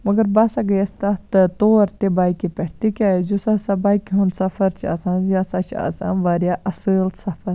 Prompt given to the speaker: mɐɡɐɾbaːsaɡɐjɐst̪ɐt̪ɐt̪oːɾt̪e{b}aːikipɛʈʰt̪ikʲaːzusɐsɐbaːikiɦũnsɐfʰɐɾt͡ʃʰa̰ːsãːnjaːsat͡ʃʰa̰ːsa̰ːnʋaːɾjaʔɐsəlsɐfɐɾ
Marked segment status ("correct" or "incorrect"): correct